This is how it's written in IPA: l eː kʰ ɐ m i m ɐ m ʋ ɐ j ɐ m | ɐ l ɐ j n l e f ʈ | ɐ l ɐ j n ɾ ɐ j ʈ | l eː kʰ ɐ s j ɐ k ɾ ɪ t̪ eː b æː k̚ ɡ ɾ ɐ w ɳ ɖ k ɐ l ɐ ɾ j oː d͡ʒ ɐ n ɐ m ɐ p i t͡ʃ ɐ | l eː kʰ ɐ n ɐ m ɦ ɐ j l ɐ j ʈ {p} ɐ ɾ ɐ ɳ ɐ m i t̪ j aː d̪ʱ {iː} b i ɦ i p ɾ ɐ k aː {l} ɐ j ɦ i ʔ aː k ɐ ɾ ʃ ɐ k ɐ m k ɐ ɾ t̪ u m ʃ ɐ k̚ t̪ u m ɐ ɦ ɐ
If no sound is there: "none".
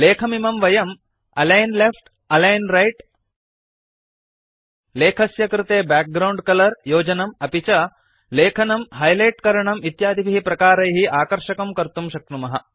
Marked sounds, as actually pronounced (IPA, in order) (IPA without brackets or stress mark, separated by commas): k, i, ɾ